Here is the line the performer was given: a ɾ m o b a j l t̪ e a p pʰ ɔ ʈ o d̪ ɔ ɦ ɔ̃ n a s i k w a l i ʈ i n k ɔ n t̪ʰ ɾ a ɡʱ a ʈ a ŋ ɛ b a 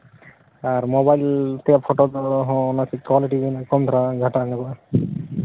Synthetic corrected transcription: a ɾ m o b a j l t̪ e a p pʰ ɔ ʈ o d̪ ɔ ɦ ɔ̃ n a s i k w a l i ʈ i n k ɔ n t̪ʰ ɾ a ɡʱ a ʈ a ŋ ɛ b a